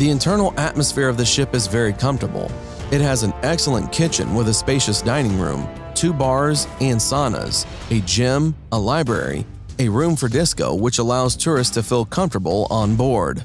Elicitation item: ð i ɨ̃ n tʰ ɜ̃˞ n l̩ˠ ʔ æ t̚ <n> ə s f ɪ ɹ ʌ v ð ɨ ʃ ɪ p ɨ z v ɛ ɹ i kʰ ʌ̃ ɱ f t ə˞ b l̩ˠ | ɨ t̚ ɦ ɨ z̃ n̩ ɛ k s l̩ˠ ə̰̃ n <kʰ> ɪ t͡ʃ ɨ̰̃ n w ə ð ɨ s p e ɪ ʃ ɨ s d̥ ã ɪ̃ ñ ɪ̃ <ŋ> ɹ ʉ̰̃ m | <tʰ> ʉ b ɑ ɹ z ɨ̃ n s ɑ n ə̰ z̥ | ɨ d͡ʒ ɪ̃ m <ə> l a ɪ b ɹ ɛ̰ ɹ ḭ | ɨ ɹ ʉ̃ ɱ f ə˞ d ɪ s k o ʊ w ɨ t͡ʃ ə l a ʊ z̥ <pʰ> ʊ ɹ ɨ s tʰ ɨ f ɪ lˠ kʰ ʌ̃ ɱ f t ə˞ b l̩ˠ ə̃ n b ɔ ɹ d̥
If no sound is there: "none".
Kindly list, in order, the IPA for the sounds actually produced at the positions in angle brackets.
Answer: m, kʰ, ŋ, tʰ, ə, tʰ

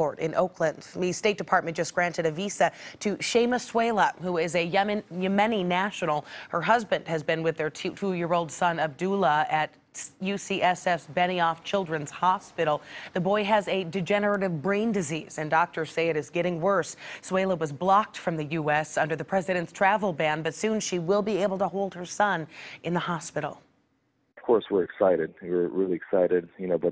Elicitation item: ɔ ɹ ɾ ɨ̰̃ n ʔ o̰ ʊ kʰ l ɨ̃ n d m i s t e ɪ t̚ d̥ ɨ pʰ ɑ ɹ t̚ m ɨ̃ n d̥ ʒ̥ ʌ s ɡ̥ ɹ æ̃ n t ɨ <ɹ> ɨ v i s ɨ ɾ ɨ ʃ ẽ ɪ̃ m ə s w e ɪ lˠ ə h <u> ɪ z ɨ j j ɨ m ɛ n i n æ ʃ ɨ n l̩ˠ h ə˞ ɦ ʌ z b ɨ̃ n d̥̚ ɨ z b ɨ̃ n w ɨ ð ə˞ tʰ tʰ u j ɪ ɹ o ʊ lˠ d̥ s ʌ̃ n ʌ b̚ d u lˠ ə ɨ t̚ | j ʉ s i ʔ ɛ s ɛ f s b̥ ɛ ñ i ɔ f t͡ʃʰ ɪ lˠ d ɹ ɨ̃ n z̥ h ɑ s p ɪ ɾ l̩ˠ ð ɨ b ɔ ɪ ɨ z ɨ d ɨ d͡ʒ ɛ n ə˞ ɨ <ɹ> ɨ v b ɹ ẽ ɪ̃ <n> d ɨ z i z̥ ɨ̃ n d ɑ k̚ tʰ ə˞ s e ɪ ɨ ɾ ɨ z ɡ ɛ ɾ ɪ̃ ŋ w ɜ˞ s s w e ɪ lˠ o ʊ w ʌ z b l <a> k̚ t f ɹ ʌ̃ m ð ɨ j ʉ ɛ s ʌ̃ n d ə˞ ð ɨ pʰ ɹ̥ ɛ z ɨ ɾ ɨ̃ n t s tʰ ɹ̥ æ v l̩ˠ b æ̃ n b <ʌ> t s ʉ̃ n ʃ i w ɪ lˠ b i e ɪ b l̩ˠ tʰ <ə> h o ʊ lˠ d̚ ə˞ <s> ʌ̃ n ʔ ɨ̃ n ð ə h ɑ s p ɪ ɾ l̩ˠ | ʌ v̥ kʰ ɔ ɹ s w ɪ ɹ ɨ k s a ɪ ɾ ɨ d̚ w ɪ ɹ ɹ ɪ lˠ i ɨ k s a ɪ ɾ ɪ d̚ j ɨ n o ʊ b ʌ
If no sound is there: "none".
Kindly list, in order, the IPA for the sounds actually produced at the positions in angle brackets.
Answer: ɾ, u, ɾ, n, ɑ, ʌ, ə, s

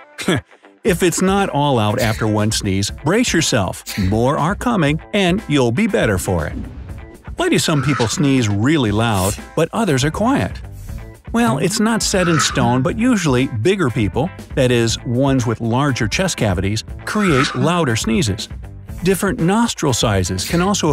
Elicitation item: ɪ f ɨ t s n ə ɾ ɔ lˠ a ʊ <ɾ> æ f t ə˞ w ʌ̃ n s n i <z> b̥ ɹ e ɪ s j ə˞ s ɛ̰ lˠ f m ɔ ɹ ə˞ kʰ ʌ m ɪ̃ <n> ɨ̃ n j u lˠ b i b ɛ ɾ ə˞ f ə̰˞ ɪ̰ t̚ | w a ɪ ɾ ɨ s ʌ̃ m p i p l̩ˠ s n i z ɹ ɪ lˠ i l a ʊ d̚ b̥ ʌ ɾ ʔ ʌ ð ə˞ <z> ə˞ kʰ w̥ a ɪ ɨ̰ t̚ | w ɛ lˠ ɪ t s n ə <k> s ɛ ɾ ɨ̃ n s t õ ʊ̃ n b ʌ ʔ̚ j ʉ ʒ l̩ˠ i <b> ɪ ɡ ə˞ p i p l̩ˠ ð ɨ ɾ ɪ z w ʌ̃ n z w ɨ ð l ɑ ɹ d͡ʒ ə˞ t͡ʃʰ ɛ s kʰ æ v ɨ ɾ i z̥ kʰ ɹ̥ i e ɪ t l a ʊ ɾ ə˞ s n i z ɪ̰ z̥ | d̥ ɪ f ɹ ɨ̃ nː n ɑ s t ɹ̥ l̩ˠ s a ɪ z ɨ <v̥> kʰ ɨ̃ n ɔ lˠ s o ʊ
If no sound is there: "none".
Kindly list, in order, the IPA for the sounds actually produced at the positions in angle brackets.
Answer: ɾ, z, ŋ, z, t, b, z̥

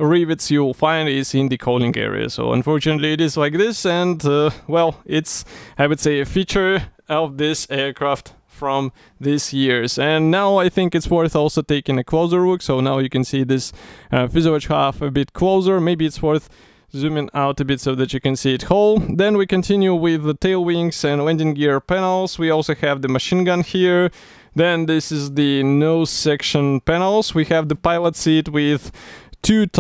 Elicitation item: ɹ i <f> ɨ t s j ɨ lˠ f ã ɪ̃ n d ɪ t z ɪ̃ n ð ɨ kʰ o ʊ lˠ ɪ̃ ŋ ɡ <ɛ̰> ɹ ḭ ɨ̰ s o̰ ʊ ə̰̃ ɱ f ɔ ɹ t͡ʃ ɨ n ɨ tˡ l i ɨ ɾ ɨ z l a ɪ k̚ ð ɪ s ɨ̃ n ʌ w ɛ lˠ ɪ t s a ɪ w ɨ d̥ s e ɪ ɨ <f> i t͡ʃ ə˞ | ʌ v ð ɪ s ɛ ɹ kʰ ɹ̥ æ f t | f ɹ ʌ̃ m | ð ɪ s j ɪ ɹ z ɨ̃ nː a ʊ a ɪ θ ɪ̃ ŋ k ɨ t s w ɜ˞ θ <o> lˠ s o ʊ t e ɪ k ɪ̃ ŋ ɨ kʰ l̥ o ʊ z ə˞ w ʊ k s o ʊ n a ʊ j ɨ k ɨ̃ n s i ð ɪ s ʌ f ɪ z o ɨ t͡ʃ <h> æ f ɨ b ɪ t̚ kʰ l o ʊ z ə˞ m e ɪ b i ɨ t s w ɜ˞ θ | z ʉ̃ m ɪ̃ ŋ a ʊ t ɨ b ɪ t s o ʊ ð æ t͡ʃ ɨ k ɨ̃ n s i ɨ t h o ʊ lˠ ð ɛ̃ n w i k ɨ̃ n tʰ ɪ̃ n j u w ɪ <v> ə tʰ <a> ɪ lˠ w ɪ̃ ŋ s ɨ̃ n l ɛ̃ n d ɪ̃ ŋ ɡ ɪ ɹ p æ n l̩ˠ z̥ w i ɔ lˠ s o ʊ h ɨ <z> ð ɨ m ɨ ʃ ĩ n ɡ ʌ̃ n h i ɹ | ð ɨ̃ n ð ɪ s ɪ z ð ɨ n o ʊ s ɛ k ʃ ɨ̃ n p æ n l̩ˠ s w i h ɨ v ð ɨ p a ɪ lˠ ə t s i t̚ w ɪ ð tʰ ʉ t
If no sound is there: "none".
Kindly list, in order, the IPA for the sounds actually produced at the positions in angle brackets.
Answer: v, ɛ̰, f, ɔ, h, ð, e, v

